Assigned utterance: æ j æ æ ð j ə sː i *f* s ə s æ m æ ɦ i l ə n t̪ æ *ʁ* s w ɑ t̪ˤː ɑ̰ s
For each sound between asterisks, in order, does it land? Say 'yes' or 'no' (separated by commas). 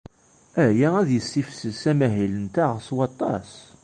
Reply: yes, yes